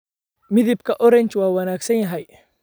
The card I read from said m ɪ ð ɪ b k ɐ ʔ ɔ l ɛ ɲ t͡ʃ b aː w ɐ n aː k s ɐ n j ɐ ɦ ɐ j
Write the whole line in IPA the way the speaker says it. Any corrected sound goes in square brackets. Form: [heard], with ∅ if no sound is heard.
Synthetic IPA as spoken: m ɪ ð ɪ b k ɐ ʔ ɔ [ɾ] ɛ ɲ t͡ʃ [w] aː w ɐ n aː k s ɐ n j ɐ ɦ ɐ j